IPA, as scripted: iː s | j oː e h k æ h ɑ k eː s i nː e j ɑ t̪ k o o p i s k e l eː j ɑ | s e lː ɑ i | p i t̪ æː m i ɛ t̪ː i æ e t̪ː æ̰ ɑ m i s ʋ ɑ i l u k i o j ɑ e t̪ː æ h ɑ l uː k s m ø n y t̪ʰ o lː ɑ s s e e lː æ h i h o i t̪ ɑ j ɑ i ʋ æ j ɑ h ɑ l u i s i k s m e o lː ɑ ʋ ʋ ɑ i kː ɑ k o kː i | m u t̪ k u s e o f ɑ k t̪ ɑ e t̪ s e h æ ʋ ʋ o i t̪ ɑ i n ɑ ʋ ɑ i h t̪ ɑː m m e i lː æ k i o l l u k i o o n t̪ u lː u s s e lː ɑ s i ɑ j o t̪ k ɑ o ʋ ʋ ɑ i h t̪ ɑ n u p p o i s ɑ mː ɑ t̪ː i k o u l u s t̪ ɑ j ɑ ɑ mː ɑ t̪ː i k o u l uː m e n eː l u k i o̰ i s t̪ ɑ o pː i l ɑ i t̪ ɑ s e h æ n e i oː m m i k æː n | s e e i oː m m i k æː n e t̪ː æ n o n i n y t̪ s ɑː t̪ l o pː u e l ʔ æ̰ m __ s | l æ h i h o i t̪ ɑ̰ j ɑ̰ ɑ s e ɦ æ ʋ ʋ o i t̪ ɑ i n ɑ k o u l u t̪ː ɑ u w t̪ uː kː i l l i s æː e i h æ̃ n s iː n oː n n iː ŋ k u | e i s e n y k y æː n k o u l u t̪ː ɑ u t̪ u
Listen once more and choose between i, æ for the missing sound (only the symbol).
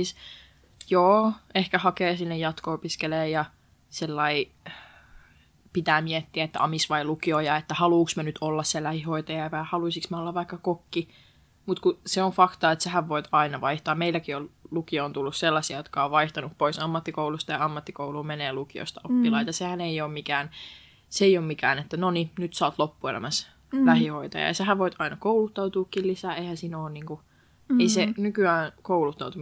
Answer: æ